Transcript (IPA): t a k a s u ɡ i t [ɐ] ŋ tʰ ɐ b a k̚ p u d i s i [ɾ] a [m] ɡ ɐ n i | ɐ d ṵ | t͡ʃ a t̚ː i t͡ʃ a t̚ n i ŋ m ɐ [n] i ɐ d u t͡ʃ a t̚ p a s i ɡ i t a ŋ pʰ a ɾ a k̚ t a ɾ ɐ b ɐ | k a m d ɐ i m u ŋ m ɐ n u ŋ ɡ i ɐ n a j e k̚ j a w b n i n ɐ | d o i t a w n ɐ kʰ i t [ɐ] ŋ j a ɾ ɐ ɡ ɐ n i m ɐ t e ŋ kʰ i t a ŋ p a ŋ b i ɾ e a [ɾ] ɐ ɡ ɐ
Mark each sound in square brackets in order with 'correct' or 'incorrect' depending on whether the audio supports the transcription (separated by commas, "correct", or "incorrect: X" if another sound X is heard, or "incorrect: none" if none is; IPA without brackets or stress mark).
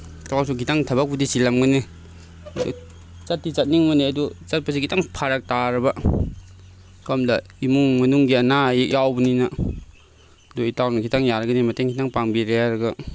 incorrect: a, incorrect: l, correct, correct, incorrect: a, correct